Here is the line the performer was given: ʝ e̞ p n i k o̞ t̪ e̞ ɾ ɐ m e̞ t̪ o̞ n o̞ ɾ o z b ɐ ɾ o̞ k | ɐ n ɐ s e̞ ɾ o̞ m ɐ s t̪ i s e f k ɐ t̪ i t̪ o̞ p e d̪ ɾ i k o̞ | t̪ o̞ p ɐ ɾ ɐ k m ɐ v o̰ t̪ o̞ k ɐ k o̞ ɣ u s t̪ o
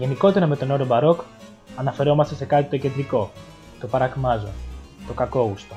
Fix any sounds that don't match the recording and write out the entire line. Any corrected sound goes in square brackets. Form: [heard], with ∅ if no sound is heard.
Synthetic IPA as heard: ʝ e̞ [∅] n i k o̞ t̪ e̞ ɾ ɐ m e̞ t̪ o̞ n o̞ ɾ o [∅] b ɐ ɾ o̞ k | ɐ n ɐ [f] e̞ ɾ o̞ m ɐ s t̪ [e] s e [∅] k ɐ t̪ i t̪ o̞ [c] e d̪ ɾ i k o̞ | t̪ o̞ p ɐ ɾ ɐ k m ɐ [z] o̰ t̪ o̞ k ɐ k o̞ ɣ u s t̪ o